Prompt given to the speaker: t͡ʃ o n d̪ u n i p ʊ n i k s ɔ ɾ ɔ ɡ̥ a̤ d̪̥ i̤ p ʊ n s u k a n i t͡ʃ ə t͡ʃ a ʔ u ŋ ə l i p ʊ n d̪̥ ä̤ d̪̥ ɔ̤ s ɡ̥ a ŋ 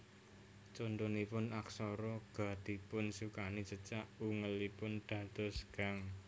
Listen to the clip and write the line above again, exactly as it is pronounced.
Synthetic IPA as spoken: t͡ʃ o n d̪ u n i p ʊ n a k s ɔ ɾ ɔ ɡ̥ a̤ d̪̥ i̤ p ʊ n s u k a n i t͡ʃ ə t͡ʃ a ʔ u ŋ ə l i p ʊ n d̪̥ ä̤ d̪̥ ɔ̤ s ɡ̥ a ŋ

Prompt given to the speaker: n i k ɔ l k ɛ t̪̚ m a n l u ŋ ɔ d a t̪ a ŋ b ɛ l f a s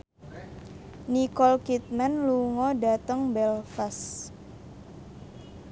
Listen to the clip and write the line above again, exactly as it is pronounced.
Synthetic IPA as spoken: n i k ɔ l k i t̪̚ m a n l u ŋ ɔ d a t̪ ə ŋ b ɛ l f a s

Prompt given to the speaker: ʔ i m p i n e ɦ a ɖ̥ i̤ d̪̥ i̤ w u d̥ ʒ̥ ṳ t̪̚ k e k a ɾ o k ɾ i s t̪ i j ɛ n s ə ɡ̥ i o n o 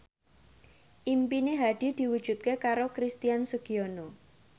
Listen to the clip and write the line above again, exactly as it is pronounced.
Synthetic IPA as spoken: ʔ i m p i n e ɦ a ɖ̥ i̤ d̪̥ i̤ w u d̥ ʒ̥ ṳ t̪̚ k e k a ɾ o k ɾ i s t̪ i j a n s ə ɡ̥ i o n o

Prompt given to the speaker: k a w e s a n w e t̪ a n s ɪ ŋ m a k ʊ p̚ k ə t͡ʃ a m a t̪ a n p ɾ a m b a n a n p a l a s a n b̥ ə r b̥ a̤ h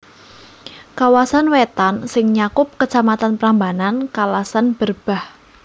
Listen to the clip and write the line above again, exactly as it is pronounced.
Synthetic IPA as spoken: k a w a s a n w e t̪ a n s ɪ ŋ ɲ a k ʊ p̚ k ə t͡ʃ a m a t̪ a n p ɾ a m b a n a n k a l a s a n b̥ ə r b̥ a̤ h

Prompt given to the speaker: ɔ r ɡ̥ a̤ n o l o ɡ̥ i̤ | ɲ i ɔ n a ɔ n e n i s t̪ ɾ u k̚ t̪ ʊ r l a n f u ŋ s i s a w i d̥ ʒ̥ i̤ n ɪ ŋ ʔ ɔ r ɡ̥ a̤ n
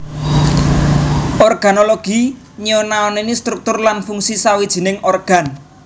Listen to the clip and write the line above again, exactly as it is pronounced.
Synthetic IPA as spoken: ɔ r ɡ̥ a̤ n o l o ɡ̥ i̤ | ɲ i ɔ n a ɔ n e n i s t̪ ɾ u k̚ t̪ ʊ r l a n f u ŋ s i s a w i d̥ ʒ̥ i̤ n ɪ ŋ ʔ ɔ r ɡ̥ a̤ n

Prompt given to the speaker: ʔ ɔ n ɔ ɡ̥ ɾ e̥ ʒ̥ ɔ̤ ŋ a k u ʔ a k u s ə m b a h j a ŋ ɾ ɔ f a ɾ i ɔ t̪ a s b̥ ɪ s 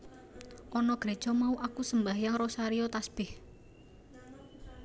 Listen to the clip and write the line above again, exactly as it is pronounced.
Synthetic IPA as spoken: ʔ ɔ n ɔ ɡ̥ ɾ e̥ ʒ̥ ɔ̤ m a u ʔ a k u s ə m b a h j a ŋ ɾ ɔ s a ɾ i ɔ t̪ a s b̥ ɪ h

